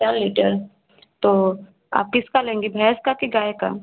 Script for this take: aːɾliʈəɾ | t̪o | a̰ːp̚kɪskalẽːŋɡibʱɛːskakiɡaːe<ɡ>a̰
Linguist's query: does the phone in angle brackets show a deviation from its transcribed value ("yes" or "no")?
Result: yes